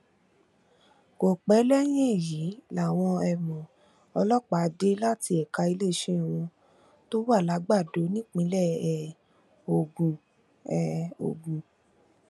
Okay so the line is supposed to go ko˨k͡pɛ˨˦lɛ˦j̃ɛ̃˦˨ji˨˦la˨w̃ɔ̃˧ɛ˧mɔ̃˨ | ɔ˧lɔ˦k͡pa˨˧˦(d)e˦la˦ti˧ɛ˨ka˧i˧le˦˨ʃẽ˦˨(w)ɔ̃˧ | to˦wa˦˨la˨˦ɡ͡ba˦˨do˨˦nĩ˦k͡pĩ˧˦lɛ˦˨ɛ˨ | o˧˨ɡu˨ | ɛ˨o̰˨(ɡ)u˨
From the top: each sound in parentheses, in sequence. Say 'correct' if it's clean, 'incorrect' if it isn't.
correct, correct, correct

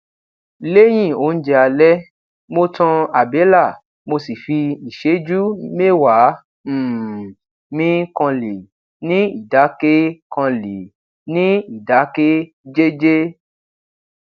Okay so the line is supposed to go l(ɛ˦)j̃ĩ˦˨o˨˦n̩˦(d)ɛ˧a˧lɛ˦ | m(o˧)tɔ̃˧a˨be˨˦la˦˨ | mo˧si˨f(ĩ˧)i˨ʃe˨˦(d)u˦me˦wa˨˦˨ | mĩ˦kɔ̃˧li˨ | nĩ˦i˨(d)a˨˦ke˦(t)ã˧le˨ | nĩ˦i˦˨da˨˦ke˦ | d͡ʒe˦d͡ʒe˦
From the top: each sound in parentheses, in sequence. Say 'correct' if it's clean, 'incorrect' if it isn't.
incorrect: e˦, incorrect: d͡ʒ, correct, incorrect: i˧, incorrect: d͡ʒ, correct, incorrect: k

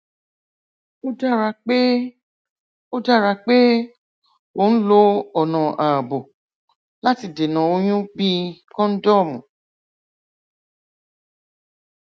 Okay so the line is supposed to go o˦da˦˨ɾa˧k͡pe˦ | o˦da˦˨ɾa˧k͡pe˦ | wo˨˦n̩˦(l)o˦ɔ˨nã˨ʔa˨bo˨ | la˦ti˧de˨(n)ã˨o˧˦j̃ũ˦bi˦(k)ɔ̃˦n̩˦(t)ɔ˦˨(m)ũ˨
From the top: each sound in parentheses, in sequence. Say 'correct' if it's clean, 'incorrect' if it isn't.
correct, correct, correct, incorrect: d, correct

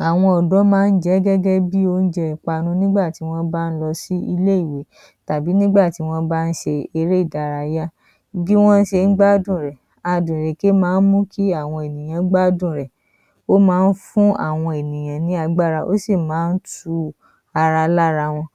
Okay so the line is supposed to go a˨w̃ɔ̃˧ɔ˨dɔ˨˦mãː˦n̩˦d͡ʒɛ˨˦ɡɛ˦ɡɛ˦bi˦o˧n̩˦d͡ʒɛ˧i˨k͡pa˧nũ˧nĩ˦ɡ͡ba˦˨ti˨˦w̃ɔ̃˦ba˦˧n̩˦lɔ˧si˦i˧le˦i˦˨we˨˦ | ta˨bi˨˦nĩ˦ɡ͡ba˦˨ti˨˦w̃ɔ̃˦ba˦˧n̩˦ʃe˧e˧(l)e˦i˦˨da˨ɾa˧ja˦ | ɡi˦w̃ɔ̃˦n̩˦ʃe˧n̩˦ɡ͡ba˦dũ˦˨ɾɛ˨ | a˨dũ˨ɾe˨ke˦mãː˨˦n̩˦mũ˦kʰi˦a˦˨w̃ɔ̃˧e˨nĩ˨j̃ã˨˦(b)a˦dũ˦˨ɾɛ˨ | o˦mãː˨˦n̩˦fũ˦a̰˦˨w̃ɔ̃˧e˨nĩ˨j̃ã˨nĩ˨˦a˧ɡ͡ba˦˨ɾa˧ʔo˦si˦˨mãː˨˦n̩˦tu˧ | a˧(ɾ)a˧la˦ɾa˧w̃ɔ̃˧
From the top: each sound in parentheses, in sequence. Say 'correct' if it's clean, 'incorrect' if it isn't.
incorrect: ɾ, incorrect: ɡ͡b, correct

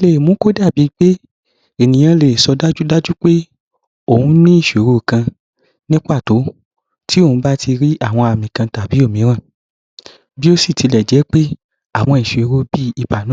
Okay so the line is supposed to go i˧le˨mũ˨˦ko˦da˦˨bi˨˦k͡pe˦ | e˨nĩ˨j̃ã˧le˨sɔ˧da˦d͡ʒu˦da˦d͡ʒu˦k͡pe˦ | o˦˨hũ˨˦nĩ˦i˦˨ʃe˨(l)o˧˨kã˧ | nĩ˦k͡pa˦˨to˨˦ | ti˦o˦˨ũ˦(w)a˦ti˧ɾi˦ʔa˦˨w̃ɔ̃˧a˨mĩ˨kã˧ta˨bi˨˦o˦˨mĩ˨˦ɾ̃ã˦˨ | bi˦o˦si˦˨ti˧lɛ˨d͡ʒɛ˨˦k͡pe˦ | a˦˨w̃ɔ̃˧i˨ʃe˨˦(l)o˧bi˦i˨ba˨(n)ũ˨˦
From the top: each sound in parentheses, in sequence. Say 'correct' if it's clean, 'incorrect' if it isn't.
incorrect: ɾ, incorrect: b, incorrect: ɾ, correct

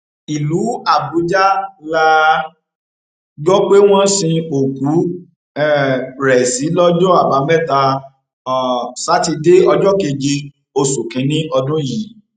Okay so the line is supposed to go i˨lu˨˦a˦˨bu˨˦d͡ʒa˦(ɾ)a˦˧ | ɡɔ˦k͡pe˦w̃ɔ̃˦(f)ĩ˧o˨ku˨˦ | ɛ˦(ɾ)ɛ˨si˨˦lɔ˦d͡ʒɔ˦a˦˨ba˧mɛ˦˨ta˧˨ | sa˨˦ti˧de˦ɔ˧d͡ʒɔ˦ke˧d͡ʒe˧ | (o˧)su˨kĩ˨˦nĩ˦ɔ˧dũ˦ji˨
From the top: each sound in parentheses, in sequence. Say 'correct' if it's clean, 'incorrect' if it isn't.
incorrect: l, incorrect: s, correct, correct

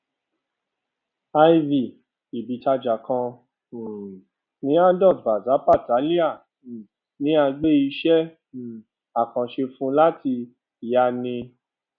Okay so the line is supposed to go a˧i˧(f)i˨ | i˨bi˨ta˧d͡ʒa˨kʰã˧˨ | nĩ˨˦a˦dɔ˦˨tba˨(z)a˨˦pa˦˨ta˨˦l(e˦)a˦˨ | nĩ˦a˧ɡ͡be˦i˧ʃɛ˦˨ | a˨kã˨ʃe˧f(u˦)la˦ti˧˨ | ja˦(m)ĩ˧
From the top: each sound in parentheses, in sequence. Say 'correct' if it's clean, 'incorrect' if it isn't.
incorrect: v, correct, incorrect: i˦, incorrect: ũ˦, incorrect: n

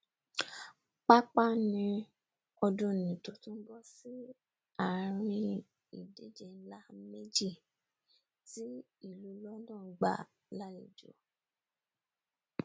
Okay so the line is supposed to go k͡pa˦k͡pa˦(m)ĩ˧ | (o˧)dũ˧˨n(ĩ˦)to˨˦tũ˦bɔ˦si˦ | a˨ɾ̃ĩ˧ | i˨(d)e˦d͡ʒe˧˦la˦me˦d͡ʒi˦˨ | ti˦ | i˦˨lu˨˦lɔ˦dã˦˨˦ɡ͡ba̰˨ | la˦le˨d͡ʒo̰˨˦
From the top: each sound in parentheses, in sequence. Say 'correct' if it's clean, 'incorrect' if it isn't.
incorrect: n, incorrect: ɔ˧, incorrect: ĩ˨, correct

